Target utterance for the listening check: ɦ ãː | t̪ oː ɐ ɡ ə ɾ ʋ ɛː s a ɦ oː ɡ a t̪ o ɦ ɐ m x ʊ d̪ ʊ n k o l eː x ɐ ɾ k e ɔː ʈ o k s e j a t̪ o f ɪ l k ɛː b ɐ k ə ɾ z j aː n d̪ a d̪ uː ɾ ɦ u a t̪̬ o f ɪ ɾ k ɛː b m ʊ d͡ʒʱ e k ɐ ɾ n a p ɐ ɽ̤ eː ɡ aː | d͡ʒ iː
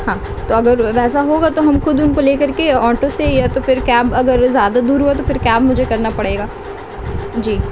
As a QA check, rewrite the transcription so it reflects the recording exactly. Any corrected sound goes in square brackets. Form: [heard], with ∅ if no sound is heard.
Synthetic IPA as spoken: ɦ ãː | t̪ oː ɐ ɡ ə ɾ ʋ ɛː s a ɦ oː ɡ a t̪ o ɦ ɐ m x ʊ d̪ ʊ n k o l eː [k] ɐ ɾ k e ɔː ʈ o [∅] s e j a t̪ o f ɪ [ɾ] k ɛː b ɐ [ɡ] ə ɾ z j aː [∅] d̪ a d̪ uː ɾ ɦ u a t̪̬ o f ɪ ɾ k ɛː b m ʊ d͡ʒʱ e k ɐ ɾ n a p ɐ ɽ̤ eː ɡ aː | d͡ʒ iː